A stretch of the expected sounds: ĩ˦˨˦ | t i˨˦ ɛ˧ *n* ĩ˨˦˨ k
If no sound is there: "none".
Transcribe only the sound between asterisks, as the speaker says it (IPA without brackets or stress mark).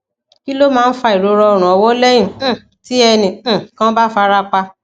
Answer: n